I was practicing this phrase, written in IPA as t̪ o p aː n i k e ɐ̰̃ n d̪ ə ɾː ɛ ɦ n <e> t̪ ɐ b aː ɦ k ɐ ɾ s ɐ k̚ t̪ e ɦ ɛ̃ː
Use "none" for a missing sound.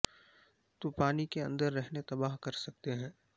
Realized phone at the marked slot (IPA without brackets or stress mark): e